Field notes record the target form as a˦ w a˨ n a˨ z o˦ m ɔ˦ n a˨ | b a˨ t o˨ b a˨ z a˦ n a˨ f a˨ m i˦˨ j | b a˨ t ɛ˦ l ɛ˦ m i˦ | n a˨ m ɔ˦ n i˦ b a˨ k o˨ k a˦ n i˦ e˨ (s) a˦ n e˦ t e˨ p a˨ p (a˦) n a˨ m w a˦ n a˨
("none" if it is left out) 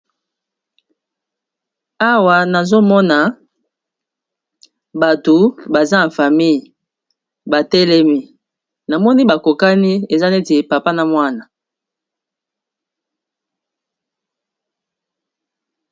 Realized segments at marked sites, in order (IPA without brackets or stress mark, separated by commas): z, a˦